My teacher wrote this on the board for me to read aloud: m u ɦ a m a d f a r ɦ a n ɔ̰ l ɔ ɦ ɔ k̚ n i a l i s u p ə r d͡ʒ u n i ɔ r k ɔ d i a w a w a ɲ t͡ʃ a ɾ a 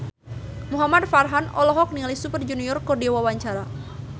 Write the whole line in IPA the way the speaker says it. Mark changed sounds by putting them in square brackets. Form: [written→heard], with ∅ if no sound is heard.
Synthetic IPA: m u ɦ a m a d f a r ɦ a n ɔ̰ l ɔ ɦ ɔ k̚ n i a l i s u p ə r d͡ʒ u n i ɔ r k ɔ d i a w a w a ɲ t͡ʃ a ɾ a